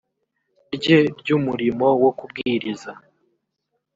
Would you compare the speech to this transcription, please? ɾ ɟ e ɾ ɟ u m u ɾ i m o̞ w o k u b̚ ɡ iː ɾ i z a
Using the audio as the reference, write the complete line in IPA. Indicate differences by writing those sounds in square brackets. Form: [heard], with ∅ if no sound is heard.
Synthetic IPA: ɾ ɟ e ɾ ɟ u m u ɾ i m o̞ w o k u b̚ ɡ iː ɾ i z a